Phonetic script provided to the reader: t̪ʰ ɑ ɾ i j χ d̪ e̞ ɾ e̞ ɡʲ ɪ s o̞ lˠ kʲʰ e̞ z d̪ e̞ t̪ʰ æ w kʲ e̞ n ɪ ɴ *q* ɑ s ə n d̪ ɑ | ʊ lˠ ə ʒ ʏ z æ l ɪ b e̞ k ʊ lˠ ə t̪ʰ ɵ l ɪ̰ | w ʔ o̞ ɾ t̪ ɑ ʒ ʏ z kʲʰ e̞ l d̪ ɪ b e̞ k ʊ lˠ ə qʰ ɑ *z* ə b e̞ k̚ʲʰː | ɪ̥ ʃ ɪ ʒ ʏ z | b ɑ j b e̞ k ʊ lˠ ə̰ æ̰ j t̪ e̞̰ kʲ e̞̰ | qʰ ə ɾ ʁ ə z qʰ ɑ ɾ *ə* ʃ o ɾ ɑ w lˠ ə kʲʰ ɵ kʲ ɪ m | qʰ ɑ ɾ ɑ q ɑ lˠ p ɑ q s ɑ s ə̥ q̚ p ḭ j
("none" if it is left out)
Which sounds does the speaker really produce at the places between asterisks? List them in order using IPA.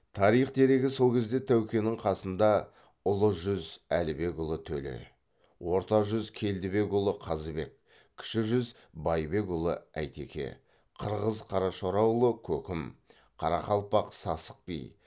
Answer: qʰ, z, ɑ

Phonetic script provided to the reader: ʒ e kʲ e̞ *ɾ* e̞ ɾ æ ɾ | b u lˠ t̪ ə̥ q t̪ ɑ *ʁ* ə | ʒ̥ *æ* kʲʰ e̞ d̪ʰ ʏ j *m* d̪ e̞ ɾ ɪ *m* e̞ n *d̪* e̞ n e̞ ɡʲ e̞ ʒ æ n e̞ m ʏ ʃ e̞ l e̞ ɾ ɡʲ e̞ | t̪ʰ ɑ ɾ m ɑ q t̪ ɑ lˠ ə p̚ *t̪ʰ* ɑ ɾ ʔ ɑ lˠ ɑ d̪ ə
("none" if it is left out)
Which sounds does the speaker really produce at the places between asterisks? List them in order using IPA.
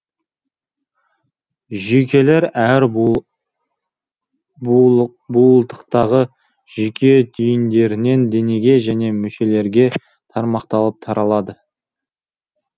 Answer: l, ʁ, e, n, n, d̪, t̪ʰ

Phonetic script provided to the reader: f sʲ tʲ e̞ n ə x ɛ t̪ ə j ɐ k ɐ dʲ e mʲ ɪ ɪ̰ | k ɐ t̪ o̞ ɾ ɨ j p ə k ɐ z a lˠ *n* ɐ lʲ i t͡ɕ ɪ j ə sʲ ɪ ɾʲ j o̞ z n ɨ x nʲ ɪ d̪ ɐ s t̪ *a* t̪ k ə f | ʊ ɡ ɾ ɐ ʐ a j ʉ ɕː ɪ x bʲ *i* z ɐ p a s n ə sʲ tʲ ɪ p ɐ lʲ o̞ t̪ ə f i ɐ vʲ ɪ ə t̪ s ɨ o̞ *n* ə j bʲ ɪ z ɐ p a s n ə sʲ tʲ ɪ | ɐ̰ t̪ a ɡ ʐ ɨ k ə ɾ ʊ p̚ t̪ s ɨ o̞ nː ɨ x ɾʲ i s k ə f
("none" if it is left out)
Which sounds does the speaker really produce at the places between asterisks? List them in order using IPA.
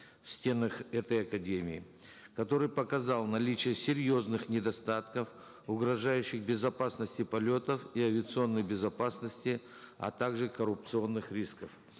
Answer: n, a, ɪ, nː

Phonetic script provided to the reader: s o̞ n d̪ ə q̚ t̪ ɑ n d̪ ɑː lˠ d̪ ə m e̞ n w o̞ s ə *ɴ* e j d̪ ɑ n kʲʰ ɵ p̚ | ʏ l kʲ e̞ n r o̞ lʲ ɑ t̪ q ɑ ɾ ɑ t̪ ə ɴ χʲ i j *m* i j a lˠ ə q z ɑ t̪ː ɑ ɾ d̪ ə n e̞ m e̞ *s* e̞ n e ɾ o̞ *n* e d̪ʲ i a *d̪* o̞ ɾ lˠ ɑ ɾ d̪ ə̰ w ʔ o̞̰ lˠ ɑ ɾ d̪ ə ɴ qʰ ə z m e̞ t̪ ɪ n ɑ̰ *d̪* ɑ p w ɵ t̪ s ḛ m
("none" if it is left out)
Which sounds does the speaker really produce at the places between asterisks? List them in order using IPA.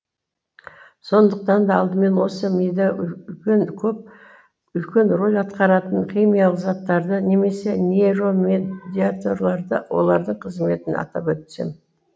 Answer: m, m, s, m, t̪, t̪

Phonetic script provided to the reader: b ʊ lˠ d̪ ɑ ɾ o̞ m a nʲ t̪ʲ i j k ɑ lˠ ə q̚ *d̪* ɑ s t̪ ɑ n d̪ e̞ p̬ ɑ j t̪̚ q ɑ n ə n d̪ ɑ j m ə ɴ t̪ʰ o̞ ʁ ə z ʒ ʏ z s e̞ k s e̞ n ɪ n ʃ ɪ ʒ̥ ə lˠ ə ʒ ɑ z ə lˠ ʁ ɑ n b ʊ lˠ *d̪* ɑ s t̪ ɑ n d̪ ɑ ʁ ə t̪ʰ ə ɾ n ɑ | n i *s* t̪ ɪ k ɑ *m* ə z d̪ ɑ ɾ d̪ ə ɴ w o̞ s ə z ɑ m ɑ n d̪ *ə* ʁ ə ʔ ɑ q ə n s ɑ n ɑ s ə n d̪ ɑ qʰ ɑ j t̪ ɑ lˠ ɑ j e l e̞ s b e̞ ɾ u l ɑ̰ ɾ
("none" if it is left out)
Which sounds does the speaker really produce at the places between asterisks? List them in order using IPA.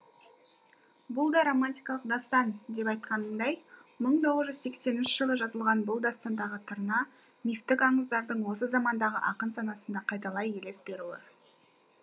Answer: d̪, d̪, f, ɴ, ɑ

